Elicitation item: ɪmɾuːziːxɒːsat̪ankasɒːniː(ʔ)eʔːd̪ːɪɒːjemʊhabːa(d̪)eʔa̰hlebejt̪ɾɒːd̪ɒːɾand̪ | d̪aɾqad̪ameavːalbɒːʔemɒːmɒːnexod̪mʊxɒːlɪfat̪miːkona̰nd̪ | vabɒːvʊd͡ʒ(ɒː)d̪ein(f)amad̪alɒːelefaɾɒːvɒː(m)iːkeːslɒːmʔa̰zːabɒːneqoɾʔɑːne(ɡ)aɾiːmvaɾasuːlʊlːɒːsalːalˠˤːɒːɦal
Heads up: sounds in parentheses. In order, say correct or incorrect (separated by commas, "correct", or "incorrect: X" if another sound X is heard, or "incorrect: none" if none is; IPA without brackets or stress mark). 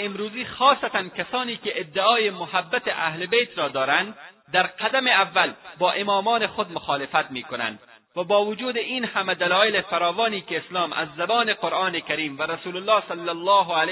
incorrect: k, incorrect: t̪, incorrect: uː, incorrect: h, incorrect: n, incorrect: k